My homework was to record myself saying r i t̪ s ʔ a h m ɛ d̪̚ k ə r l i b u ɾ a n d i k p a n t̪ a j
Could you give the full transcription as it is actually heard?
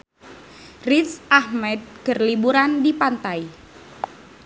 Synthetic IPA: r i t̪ s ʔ a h m ɛ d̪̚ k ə r l i b u ɾ a n d i p a n t̪ a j